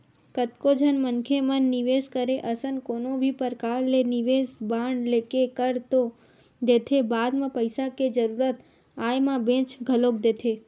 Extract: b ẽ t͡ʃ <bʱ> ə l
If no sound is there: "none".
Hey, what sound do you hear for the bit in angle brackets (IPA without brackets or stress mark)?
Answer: ɡʱ